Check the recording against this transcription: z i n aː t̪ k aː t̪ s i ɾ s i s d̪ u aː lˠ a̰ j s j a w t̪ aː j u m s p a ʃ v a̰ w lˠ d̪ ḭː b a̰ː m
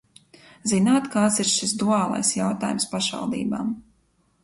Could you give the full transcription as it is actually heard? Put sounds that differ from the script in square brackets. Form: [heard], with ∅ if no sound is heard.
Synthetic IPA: z i n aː t̪ k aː t̪ s i ɾ [ʃ] i s d̪ u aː lˠ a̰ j s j a w t̪ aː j u m s p a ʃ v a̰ [∅] lˠ d̪ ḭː b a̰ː m